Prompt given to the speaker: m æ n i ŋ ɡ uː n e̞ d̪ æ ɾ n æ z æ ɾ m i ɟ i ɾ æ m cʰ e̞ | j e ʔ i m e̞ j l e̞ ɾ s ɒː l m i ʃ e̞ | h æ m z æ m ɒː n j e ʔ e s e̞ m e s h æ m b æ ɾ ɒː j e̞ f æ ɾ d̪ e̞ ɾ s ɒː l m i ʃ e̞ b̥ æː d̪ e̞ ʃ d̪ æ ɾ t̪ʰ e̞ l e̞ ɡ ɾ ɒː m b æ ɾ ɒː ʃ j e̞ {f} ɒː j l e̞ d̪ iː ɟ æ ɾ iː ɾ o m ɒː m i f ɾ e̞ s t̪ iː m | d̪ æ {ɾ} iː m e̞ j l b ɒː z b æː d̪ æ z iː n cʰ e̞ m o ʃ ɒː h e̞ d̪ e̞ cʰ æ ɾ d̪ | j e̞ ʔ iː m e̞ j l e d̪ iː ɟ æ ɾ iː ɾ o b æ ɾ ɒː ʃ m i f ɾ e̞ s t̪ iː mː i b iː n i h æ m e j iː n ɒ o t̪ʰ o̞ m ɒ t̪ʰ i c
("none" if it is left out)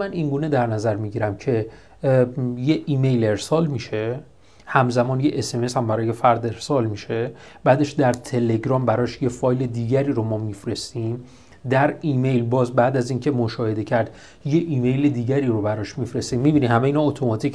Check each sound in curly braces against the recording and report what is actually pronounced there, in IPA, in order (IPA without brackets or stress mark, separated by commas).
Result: f, ɾ